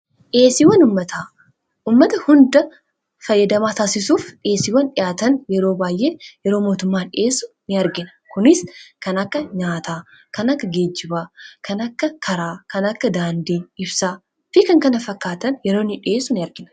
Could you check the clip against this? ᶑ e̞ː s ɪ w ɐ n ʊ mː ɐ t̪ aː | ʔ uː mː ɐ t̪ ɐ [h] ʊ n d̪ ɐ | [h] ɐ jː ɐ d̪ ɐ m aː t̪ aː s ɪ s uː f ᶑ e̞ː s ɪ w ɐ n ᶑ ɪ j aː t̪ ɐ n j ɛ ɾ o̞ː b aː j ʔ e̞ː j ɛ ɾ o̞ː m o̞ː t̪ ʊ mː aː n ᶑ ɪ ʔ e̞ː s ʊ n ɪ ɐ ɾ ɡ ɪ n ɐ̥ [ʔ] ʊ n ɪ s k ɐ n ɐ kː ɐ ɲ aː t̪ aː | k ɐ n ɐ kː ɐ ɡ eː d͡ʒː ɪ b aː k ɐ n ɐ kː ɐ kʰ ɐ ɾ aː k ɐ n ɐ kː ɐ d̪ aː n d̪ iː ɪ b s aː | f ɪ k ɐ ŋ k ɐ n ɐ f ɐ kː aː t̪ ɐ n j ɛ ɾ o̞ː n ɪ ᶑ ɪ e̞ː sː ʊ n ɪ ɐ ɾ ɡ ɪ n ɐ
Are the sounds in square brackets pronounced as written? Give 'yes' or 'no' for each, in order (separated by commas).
yes, no, no